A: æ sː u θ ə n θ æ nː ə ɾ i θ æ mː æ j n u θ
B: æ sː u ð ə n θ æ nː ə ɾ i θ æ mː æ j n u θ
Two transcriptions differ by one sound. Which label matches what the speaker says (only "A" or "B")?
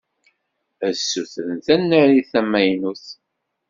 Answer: A